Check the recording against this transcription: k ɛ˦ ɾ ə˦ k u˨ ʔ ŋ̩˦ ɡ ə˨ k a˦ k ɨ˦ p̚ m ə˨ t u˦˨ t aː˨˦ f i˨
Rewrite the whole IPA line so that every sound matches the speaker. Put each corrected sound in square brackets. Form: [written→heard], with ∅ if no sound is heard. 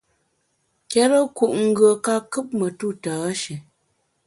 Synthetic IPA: k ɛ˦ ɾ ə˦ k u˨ ʔ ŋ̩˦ ɡ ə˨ k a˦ k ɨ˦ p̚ m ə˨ t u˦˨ t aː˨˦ [f→ʃ] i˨